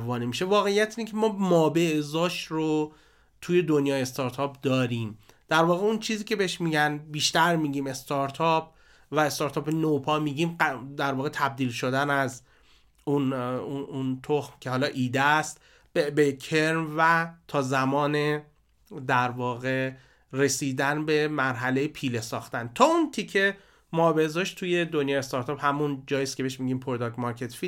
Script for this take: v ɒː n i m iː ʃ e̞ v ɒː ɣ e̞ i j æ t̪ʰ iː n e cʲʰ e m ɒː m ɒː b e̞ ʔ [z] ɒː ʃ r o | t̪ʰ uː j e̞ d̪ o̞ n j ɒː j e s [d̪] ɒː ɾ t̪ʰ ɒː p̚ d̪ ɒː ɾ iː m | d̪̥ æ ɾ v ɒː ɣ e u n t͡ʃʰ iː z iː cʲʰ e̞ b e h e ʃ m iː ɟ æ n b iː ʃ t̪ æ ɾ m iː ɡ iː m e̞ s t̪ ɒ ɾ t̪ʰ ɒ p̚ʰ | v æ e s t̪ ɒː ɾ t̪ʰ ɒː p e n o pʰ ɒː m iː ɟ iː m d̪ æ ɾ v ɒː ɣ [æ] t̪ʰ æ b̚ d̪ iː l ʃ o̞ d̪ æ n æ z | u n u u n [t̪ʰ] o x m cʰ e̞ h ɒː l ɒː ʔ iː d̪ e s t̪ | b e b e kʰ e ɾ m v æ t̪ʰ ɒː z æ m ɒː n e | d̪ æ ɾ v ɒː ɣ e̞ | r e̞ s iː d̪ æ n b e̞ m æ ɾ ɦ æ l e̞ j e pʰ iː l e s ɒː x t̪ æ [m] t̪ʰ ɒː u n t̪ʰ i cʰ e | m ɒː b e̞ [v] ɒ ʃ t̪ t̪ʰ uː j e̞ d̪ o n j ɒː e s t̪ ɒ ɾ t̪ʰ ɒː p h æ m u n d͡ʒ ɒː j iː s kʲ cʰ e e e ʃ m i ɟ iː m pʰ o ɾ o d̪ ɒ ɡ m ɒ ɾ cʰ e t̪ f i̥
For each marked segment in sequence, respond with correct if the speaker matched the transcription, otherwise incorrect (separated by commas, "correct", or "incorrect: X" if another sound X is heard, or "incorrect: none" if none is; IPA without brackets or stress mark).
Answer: correct, incorrect: t̪, incorrect: e, correct, incorrect: n, incorrect: z